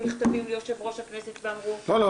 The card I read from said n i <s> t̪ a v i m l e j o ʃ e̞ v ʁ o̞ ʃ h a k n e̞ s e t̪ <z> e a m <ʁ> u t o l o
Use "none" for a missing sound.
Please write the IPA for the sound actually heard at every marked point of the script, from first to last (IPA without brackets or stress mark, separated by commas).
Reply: χ, v, ʁ